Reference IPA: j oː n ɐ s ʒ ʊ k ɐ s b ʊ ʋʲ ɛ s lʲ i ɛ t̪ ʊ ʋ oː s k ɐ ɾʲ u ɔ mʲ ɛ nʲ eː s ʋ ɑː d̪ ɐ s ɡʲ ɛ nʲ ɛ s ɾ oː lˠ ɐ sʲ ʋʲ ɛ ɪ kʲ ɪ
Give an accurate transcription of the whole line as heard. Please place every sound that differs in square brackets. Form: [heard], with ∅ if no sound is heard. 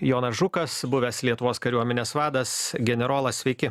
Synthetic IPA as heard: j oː n ɐ s ʒ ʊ k ɐ s b ʊ ʋʲ ɛ s lʲ i ɛ t̪ ʊ ʋ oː s k ɐ ɾʲ u ɔ mʲ ɛ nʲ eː s ʋ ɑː d̪ ɐ s ɡʲ ɛ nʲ ɛ [∅] ɾ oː lˠ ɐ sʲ ʋʲ ɛ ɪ kʲ ɪ